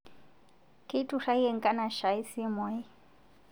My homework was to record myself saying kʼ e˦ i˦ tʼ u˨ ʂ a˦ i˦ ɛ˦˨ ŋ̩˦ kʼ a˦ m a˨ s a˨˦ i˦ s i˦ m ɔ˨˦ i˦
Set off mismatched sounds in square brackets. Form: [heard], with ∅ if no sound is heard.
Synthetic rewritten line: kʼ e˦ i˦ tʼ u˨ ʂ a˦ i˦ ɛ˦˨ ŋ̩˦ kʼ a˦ [n] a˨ [ʃ] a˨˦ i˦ s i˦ m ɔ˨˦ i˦